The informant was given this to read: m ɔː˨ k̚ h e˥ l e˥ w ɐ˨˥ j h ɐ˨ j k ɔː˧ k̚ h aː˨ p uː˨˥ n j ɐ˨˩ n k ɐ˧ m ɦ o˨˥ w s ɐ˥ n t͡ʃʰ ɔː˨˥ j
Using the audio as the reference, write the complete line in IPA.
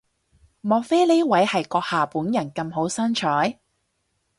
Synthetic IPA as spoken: m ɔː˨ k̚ f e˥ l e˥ w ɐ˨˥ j h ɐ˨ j k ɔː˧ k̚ h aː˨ p uː˨˥ n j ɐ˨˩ n k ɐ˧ m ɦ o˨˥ w s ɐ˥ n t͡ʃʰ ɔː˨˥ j